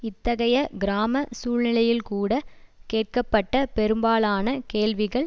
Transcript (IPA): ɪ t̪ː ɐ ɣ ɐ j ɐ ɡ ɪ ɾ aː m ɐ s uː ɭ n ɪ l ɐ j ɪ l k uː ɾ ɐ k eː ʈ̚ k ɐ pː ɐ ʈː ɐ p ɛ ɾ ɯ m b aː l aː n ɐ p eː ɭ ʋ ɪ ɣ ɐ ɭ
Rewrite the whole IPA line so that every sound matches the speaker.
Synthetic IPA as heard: ɪ t̪ː ɐ ɣ ɐ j ɐ ɡ ɪ ɾ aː m ɐ s uː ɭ n ɪ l ɐ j ɪ l k uː ɽ ɐ k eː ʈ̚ k ɐ pː ɐ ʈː ɐ p ɛ ɾ ɯ m b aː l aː n ɐ k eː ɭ ʋ ɪ ɣ ɐ ɭ